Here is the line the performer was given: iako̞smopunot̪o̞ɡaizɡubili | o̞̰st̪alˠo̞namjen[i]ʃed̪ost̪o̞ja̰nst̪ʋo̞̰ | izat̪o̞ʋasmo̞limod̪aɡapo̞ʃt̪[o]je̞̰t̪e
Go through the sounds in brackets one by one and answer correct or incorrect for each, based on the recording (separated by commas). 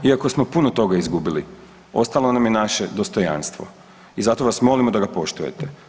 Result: incorrect, incorrect